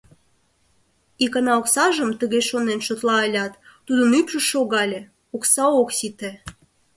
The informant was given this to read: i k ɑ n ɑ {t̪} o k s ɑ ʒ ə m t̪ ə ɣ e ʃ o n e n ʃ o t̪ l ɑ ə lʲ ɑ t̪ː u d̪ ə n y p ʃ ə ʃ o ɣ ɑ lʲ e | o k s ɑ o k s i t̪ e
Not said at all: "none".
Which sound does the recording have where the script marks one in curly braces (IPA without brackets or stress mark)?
none